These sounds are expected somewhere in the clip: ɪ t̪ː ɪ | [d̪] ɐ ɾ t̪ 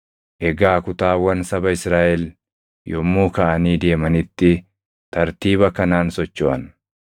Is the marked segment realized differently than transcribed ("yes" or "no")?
yes